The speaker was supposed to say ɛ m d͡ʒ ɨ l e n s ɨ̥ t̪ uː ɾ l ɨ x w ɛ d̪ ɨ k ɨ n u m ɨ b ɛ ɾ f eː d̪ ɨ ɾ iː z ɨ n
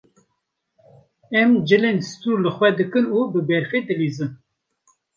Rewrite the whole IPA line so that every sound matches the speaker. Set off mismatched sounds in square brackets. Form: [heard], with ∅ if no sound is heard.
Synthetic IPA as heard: ɛ m d͡ʒ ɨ l e n s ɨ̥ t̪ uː ɾ l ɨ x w ɛ d̪ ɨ k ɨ n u [b] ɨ b ɛ ɾ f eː d̪ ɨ [l] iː z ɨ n